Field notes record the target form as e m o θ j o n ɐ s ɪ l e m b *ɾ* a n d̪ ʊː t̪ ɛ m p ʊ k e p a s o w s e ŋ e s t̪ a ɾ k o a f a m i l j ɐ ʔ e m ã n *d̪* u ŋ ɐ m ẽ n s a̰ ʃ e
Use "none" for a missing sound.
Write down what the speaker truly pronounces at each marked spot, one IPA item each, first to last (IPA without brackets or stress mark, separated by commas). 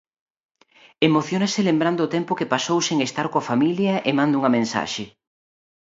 ɾ, d̪